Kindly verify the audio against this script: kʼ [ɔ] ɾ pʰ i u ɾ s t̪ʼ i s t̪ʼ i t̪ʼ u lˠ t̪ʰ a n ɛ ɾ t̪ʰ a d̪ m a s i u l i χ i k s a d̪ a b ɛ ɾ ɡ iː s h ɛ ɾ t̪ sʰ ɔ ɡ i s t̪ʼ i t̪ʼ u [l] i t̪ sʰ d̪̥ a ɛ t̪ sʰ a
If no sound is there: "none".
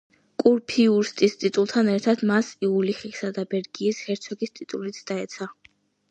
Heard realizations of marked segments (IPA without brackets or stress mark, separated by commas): u, l